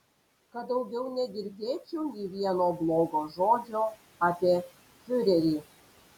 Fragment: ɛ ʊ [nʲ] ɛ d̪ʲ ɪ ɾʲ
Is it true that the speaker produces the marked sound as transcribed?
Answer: yes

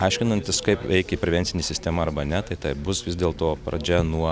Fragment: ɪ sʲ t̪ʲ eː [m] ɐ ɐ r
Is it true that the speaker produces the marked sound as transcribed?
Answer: yes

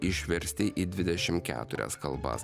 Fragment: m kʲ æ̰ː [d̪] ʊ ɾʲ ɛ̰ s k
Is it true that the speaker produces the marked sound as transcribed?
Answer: no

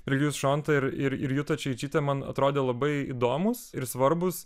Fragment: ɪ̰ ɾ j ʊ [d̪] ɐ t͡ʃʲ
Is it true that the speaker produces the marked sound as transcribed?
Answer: no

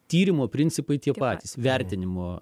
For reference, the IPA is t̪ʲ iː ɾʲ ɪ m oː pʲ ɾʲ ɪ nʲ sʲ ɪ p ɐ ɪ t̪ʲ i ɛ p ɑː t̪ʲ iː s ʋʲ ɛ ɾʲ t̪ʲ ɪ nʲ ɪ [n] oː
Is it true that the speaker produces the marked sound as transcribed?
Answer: no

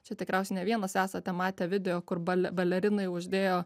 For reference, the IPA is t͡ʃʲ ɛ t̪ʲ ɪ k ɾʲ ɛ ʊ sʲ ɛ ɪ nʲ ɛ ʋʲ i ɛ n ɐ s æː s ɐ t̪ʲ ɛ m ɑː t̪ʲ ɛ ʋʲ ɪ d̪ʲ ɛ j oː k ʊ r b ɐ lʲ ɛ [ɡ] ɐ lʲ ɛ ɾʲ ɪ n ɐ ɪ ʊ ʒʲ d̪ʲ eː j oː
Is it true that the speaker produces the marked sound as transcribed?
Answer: no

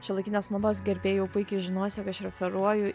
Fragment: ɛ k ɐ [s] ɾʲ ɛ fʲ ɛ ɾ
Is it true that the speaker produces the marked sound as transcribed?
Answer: no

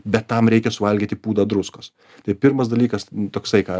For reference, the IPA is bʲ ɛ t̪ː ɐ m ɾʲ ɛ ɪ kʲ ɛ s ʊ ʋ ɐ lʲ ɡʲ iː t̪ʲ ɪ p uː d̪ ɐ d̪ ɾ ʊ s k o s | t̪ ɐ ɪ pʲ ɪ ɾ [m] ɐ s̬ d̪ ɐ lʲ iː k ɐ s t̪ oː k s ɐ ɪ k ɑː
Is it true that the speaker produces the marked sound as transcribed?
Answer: yes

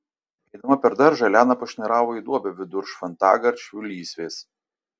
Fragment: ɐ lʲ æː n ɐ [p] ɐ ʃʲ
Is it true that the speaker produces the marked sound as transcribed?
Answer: yes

